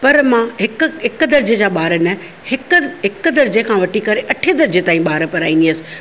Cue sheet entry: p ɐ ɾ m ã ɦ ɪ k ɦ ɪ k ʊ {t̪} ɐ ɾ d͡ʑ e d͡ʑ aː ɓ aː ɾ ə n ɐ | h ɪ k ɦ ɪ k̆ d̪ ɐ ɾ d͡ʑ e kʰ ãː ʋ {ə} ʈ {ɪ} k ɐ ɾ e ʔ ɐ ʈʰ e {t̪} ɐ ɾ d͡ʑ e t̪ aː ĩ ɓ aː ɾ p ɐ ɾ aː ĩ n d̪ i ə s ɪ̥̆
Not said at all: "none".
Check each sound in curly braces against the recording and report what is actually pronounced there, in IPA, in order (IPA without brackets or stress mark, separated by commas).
d̪, ɐ, i, d̪